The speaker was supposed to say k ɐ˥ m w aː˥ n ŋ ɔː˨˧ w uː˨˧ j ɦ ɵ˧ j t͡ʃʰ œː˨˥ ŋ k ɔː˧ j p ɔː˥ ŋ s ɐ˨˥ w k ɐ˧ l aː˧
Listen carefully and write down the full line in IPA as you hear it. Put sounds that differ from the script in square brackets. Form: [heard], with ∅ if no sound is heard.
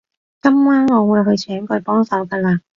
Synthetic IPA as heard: k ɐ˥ m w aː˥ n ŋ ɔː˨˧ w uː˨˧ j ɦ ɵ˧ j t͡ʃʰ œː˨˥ ŋ k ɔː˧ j p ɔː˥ ŋ s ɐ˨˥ w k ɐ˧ l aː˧